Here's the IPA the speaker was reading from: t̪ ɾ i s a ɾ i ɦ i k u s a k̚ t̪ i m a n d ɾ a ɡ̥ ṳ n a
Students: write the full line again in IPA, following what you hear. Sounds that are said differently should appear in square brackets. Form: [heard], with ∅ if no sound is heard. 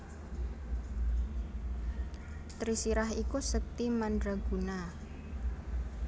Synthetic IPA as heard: t̪ ɾ i s [i] ɾ [a] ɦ i k u s [ə] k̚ t̪ i m a n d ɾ a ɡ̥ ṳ n a